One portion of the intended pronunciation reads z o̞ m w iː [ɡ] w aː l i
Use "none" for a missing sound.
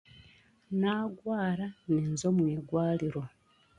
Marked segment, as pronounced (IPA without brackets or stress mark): ɡ